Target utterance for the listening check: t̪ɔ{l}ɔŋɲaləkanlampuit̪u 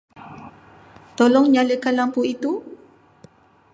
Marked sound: correct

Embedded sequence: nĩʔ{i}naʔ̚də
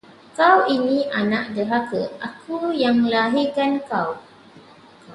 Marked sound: incorrect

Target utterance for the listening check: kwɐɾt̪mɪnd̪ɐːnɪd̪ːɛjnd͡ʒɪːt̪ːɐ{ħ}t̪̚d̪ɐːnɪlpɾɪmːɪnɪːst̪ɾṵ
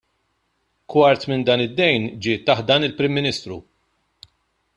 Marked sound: correct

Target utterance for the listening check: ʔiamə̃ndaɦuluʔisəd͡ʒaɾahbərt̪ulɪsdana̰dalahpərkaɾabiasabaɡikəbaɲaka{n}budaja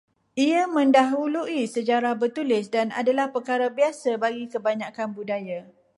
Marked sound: correct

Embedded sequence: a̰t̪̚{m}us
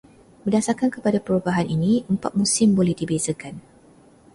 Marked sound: correct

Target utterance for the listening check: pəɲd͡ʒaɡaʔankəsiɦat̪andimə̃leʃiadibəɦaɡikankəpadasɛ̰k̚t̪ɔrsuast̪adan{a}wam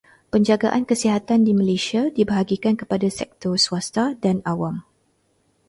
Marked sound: correct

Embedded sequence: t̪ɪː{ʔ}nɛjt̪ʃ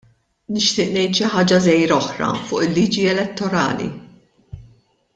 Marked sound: correct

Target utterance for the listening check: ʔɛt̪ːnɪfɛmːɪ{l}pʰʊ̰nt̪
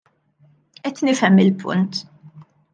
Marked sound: correct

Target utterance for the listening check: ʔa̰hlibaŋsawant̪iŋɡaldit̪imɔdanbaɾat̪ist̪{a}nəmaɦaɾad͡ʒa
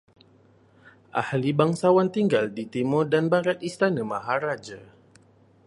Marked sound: correct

